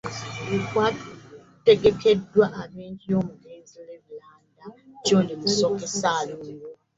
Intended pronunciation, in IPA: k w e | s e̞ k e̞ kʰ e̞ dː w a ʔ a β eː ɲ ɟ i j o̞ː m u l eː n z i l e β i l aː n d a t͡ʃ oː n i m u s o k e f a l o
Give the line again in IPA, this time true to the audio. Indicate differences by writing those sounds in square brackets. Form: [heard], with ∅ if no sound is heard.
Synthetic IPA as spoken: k w [a] | [t] e̞ [ɡ] e̞ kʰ e̞ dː w a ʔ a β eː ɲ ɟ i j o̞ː m u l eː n z i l e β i l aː n d a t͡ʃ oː n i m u s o k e [s] a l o